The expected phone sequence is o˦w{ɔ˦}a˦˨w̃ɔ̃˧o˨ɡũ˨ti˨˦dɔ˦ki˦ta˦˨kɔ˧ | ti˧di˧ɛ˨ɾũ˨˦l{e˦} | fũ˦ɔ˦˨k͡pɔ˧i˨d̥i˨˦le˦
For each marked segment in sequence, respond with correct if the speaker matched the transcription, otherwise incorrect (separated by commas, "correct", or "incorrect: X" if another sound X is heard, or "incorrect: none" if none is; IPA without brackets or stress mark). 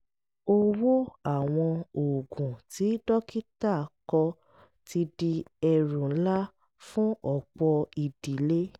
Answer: incorrect: o˦, incorrect: a˦